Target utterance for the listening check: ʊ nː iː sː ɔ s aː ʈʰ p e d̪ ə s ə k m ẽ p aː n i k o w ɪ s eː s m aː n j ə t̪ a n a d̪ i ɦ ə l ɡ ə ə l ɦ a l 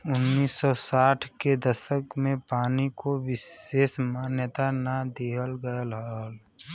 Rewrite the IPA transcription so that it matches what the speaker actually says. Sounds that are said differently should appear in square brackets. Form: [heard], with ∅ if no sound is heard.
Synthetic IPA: ʊ nː iː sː ɔ s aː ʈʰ [k] e d̪ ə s ə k m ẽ p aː n i k o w ɪ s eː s m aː n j ə t̪ a n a d̪ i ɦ ə l ɡ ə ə l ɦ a l